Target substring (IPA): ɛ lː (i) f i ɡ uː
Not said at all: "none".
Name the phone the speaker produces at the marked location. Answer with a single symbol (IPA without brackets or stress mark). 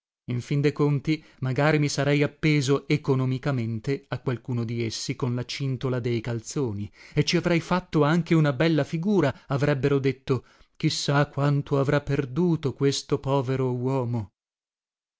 a